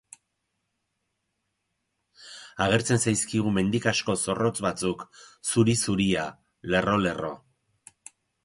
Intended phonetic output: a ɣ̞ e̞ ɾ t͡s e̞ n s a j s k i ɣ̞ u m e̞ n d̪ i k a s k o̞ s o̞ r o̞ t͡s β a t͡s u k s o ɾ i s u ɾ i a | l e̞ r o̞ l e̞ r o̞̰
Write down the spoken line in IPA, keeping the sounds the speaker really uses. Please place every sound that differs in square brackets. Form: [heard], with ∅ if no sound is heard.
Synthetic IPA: a ɣ̞ e̞ ɾ t͡s e̞ n s a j s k i ɣ̞ u m e̞ n d̪ i k a s k o̞ s o̞ r o̞ t͡s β a t͡s u k s [u] ɾ i s u ɾ i a | l e̞ r o̞ l e̞ r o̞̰